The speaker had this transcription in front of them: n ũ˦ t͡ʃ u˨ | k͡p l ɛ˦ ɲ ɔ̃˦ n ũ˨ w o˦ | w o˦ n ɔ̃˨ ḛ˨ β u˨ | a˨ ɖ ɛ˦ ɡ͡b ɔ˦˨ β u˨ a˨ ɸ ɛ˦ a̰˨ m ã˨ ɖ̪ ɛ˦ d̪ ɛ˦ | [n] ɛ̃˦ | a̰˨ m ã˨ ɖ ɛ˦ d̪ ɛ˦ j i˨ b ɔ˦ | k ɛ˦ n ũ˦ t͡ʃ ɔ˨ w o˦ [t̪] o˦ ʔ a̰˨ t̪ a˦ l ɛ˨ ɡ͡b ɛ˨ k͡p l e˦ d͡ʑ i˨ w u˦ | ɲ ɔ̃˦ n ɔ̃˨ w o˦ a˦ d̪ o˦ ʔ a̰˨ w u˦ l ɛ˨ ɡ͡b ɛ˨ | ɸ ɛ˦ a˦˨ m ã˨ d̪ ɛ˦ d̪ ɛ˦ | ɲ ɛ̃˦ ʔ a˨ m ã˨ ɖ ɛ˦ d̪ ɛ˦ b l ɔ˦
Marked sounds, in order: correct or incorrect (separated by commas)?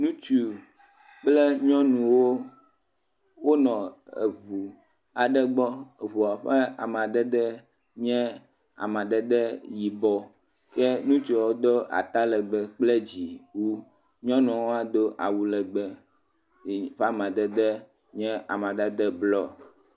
incorrect, incorrect